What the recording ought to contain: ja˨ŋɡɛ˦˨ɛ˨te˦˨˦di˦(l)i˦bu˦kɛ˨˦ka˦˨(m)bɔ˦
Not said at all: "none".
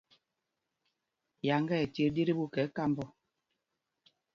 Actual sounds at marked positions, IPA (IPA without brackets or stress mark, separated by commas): ɾ, m